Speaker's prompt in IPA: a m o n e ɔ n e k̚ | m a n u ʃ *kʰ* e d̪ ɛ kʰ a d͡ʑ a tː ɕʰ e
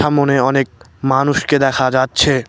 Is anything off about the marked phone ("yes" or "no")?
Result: yes